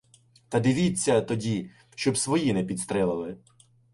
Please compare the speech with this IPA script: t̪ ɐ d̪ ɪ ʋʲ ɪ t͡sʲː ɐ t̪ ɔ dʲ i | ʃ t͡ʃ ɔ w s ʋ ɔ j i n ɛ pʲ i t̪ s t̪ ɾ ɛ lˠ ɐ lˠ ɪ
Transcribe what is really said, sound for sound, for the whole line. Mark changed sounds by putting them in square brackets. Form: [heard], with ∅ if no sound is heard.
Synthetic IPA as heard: t̪ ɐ d̪ ɪ ʋʲ [i] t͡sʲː ɐ t̪ ɔ dʲ i | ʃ t͡ʃ ɔ [b] s ʋ ɔ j i n ɛ pʲ i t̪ s t̪ ɾ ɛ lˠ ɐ lˠ ɪ